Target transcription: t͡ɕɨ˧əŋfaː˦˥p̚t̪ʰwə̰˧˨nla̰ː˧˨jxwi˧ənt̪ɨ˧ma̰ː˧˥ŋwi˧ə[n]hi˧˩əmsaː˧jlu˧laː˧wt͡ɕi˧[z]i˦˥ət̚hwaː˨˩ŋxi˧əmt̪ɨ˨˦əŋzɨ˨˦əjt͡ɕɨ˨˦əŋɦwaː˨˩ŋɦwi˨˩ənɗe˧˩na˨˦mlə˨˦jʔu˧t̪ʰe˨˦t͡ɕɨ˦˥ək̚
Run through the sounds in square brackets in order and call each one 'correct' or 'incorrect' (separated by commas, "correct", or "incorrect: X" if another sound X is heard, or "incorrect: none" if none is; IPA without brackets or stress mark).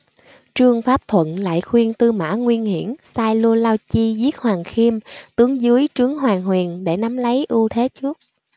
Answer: correct, correct